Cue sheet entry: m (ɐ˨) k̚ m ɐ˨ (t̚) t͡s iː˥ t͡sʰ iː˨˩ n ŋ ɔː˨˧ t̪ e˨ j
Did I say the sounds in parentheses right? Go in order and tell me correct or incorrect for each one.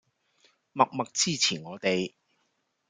correct, incorrect

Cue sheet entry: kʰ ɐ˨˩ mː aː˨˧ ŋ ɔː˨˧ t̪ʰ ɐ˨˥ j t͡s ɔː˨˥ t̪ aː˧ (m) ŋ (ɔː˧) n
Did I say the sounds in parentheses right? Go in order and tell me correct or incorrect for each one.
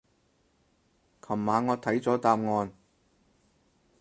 correct, correct

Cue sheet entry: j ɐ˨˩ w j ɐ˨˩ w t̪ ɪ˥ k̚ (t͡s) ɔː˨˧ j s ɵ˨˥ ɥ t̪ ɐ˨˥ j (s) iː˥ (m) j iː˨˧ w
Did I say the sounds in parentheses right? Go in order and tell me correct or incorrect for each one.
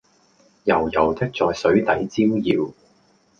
correct, incorrect, correct

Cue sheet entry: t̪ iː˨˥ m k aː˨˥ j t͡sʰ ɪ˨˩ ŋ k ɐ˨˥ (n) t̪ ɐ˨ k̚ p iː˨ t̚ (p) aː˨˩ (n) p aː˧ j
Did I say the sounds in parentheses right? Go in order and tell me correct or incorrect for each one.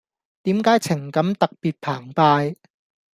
incorrect, incorrect, incorrect

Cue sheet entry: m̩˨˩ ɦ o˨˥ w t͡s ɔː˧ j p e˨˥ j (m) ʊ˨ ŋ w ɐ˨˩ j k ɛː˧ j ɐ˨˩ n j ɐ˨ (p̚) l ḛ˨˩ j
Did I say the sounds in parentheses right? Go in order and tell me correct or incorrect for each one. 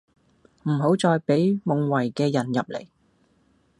correct, correct

